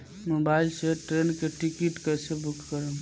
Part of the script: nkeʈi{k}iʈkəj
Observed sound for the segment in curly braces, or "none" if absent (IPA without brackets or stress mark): k